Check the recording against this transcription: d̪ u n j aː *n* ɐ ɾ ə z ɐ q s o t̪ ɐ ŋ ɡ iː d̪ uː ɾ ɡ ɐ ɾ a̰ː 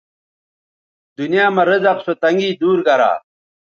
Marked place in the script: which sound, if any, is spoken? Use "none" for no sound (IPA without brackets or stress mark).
m